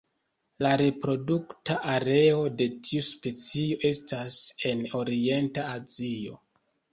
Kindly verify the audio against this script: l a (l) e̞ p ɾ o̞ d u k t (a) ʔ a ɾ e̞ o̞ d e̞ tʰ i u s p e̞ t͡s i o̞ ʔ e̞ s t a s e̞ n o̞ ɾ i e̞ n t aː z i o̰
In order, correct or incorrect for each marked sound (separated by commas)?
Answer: incorrect, correct